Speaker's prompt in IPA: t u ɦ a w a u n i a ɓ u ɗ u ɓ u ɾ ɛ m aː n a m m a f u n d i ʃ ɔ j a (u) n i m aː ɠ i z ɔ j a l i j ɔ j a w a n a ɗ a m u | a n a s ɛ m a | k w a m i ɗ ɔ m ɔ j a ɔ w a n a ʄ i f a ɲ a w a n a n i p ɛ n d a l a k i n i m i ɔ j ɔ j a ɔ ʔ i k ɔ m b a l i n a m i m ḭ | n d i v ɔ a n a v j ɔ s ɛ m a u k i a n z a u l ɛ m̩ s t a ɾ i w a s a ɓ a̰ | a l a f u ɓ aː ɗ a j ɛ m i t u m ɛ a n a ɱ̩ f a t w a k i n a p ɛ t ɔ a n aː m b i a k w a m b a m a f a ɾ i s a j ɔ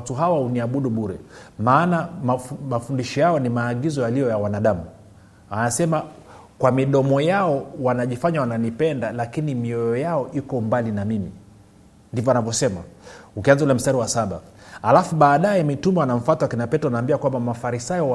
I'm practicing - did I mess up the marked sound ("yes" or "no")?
yes